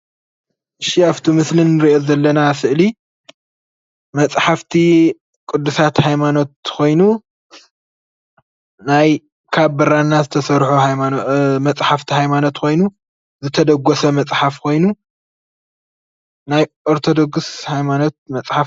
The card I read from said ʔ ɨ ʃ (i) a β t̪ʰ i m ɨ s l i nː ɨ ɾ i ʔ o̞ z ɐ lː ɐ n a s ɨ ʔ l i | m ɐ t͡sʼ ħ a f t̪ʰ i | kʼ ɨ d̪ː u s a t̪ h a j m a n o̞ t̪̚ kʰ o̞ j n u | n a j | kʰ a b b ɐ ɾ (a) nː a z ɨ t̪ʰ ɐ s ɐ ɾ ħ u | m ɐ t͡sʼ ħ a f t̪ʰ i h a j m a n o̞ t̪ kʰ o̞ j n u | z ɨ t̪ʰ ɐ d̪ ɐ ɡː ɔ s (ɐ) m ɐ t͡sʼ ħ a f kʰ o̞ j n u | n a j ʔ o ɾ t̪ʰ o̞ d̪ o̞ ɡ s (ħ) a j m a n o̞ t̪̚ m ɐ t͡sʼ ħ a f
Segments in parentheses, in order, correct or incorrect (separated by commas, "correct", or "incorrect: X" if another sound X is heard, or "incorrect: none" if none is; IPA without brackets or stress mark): correct, correct, correct, incorrect: h